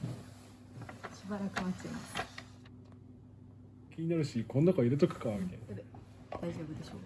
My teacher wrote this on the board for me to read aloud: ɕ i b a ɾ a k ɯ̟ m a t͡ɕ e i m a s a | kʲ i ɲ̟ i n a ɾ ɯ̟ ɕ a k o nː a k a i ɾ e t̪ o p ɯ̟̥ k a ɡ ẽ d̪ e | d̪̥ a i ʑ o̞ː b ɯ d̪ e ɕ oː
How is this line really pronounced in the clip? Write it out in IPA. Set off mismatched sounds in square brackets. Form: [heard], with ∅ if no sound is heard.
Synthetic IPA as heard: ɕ i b a ɾ a k ɯ̟ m a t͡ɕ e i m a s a | kʲ i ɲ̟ i n a ɾ ɯ̟ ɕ [i] k o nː a k a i ɾ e t̪ o [k] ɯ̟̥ k a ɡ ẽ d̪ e | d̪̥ a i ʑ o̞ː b ɯ d̪ e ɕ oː

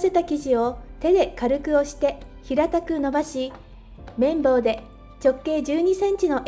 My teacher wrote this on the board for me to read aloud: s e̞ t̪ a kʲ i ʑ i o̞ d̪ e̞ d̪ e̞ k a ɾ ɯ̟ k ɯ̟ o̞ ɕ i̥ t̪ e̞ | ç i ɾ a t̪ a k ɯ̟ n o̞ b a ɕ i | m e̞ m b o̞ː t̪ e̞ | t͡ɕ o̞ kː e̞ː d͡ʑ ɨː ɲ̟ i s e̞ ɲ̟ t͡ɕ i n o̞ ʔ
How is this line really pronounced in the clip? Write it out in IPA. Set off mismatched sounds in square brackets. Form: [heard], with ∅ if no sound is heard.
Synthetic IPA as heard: s e̞ t̪ a kʲ i ʑ i o̞ [t̪] e̞ d̪ e̞ k a ɾ ɯ̟ k ɯ̟ o̞ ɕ i̥ t̪ e̞ | ç i ɾ a t̪ a k ɯ̟ n o̞ b a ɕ i | m [ẽ̞] m b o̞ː [d̪] e̞ | t͡ɕ o̞ kː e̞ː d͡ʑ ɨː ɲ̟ i s [ẽ̞] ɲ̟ t͡ɕ i n o̞ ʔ

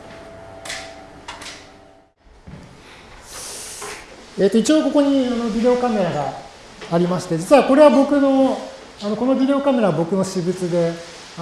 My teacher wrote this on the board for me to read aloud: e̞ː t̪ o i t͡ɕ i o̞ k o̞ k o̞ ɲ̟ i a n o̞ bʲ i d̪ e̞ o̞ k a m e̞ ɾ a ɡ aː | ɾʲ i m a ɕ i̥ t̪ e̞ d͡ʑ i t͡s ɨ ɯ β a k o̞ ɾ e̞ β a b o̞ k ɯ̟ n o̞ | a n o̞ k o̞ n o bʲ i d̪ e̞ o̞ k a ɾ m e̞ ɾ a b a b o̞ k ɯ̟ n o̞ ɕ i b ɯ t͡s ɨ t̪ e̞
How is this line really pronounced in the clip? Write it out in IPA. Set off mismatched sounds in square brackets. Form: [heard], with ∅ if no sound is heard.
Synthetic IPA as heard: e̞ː t̪ o i t͡ɕ i o̞ k o̞ k o̞ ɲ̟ i a n o̞ bʲ i d̪ e̞ o̞ k a m e̞ ɾ a ɡ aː | ɾʲ i m a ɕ i̥ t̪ e̞ d͡ʑ i t͡s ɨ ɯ β a k o̞ ɾ e̞ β a b o̞ k ɯ̟ n o̞ | a n o̞ k o̞ n o bʲ i d̪ e̞ o̞ k a [∅] m e̞ ɾ a [β] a b o̞ k ɯ̟ n o̞ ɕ i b ɯ t͡s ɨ [d̪] e̞

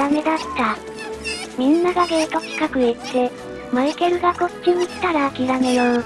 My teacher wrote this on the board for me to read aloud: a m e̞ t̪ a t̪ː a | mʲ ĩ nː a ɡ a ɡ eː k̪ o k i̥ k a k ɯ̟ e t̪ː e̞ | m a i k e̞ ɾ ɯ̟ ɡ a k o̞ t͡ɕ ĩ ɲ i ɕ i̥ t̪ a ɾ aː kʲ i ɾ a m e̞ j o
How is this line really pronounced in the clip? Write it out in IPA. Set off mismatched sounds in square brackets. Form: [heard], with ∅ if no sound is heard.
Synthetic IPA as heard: a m e̞ [d̪] a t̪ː a | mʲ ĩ nː a ɡ a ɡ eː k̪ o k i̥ k a k ɯ̟ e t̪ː e̞ | m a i k e̞ ɾ ɯ̟ ɡ a k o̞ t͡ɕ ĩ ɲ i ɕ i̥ t̪ a ɾ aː kʲ i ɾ a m e̞ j o

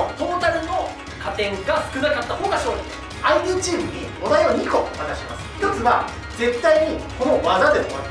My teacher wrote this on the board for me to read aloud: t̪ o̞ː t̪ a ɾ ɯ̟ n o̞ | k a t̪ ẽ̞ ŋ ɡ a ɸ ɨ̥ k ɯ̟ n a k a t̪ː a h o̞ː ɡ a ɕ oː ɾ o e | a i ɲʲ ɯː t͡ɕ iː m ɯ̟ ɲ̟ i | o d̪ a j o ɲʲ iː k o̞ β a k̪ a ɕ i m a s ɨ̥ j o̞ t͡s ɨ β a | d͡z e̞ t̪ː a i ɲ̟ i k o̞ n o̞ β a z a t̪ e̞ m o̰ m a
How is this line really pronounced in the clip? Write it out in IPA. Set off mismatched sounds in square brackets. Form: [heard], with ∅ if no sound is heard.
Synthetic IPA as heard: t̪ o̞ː t̪ a ɾ ɯ̟ n o̞ | k a t̪ ẽ̞ ŋ ɡ a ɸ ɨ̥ k ɯ̟ n a k a t̪ː a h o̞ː ɡ a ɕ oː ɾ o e | a i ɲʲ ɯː t͡ɕ iː m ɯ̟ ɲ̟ i | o d̪ a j o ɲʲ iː k o̞ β a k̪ a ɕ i m a s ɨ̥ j o̞ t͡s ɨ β a | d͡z e̞ t̪ː a i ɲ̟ i k o̞ n o̞ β a z a [d̪] e̞ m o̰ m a

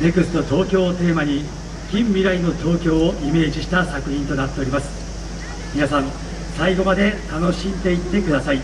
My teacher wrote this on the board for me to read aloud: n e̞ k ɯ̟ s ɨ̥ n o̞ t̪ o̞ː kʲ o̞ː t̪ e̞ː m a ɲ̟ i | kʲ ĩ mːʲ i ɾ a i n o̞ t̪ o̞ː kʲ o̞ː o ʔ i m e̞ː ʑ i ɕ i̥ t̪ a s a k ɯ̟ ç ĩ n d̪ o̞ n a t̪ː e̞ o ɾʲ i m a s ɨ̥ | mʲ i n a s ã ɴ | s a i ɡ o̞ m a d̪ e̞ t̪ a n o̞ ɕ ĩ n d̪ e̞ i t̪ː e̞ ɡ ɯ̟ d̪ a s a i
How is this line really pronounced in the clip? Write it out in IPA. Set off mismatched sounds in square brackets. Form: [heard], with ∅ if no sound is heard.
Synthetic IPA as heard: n e̞ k ɯ̟ s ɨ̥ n o̞ t̪ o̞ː kʲ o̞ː t̪ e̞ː m a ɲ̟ i | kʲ ĩ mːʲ i ɾ a i n o̞ t̪ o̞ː kʲ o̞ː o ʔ i m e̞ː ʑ i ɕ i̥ t̪ a s a k ɯ̟ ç ĩ n [t̪] o̞ n a t̪ː e̞ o ɾʲ i m a s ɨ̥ | mʲ i n a s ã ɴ | s a i ɡ o̞ m a d̪ e̞ t̪ a n o̞ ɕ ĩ n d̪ e̞ i t̪ː e̞ [k] ɯ̟ d̪ a s a i

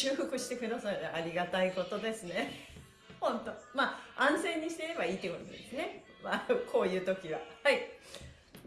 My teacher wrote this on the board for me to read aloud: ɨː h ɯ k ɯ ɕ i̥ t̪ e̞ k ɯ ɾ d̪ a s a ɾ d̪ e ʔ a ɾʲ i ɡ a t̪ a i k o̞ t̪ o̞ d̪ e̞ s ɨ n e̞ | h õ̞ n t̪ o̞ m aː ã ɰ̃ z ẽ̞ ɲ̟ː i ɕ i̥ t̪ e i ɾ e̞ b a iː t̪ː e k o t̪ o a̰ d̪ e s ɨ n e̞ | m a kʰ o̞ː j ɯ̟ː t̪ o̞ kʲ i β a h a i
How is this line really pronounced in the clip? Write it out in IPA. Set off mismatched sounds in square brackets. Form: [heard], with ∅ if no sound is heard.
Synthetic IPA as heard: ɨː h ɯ k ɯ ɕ i̥ t̪ e̞ k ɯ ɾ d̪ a s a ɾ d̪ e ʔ a ɾʲ i ɡ a t̪ a i k o̞ t̪ o̞ d̪ e̞ s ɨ n e̞ | h õ̞ n t̪ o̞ m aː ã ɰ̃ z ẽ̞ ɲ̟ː i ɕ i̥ t̪ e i ɾ e̞ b a iː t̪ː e k o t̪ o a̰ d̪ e s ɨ n e̞ | m a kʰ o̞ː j ɯ̟ː t̪ o̞ kʲ i β a h a i

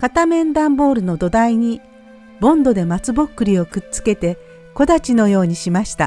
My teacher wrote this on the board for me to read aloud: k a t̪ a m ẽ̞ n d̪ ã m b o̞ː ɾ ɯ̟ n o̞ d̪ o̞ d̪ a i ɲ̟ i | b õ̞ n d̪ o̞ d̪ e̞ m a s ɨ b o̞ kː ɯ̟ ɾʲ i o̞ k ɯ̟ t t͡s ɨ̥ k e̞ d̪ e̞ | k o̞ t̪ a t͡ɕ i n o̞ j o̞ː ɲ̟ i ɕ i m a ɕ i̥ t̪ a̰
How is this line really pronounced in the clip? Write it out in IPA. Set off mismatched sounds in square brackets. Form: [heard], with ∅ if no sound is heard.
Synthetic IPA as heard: k a t̪ a m ẽ̞ n d̪ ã m b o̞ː ɾ ɯ̟ n o̞ d̪ o̞ d̪ a i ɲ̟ i | b õ̞ n d̪ o̞ d̪ e̞ m a [t͡s] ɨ b o̞ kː ɯ̟ ɾʲ i o̞ k ɯ̟ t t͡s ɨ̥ k e̞ [t̪] e̞ | k o̞ [d̪] a t͡ɕ i n o̞ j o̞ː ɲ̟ i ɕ i m a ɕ i̥ t̪ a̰

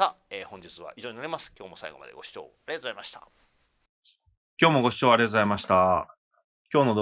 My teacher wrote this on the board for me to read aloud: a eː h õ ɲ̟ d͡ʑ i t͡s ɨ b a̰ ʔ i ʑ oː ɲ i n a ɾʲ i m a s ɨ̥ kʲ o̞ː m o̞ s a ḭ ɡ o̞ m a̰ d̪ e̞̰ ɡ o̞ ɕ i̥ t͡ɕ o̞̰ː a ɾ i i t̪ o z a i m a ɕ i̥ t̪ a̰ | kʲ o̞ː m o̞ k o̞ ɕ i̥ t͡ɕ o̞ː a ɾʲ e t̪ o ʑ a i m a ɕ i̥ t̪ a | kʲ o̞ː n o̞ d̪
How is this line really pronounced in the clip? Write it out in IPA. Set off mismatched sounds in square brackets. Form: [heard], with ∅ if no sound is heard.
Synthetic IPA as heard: a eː h õ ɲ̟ d͡ʑ i t͡s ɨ [β] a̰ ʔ i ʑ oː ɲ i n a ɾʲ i m a s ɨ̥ kʲ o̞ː m o̞ s a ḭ ɡ o̞ m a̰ d̪ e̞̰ ɡ o̞ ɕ i̥ t͡ɕ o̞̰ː a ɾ i [a] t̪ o z a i m a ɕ i̥ t̪ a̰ | kʲ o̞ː m o̞ [ɡ] o̞ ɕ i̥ t͡ɕ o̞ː a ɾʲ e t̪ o [z] a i m a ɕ i̥ t̪ a | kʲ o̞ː n o̞ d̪

